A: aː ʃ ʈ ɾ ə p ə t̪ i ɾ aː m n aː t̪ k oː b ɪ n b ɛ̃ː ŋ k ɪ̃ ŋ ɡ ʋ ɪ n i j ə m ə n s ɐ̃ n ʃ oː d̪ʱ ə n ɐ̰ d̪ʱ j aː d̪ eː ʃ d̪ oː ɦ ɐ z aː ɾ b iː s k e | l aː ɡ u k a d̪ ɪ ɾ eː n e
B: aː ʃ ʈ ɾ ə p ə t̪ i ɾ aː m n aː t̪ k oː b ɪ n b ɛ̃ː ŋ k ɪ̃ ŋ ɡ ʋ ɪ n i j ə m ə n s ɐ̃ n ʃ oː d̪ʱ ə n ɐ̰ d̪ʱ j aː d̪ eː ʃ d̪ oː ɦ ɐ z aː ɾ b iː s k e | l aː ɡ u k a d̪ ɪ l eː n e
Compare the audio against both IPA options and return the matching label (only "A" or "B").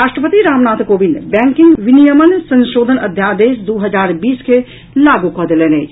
B